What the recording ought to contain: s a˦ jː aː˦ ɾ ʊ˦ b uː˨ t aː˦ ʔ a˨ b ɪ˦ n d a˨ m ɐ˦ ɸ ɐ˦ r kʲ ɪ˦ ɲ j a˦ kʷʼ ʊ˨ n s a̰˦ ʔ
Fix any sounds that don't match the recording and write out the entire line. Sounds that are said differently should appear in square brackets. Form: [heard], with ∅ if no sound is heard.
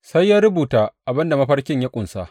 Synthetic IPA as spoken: s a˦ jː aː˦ ɾ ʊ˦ b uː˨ t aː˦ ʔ a˨ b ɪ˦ n d a˨ m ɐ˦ ɸ ɐ˦ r kʲ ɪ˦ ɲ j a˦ kʷʼ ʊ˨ n s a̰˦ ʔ